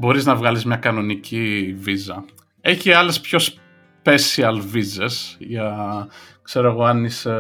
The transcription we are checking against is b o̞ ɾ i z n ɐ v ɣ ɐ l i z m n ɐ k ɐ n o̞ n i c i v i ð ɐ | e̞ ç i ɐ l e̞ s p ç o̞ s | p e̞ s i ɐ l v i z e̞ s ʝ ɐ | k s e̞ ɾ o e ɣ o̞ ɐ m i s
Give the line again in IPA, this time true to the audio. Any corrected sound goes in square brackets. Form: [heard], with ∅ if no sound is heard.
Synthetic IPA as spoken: b o̞ ɾ i z n ɐ v ɣ ɐ l i z m [ɲ] ɐ k ɐ n o̞ n i c i v i [z] ɐ | e̞ ç i ɐ l e̞ s p ç o̞ s | p e̞ s i ɐ l v i z e̞ s ʝ ɐ | k s e̞ ɾ o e ɣ o̞ ɐ [n] i s